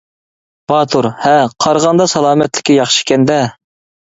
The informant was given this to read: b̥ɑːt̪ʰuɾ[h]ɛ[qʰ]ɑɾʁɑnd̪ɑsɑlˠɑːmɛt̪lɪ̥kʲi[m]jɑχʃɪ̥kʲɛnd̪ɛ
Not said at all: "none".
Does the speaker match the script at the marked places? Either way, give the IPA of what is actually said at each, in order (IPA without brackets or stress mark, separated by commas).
h, qʰ, none